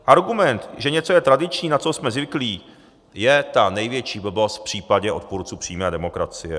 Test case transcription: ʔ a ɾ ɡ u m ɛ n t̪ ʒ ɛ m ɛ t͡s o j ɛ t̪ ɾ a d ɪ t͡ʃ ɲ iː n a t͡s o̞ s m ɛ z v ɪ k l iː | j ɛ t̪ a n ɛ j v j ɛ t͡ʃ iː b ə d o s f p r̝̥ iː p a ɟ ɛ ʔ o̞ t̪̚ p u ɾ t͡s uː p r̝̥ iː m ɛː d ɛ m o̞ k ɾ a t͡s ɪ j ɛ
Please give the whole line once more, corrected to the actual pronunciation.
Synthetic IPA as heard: ʔ a ɾ ɡ u m ɛ n t̪ ʒ ɛ ɲ ɛ t͡s o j ɛ t̪ ɾ a d ɪ t͡ʃ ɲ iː n a t͡s o̞ s m ɛ z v ɪ k l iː | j ɛ t̪ a n ɛ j v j ɛ t͡ʃ iː b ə b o s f p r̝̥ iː p a ɟ ɛ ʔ o̞ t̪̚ p u ɾ t͡s uː p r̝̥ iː m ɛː d ɛ m o̞ k ɾ a t͡s ɪ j ɛ